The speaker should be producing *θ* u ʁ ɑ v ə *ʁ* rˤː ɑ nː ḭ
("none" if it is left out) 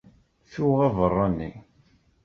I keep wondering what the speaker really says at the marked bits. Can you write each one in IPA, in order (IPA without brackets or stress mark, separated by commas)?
θ, none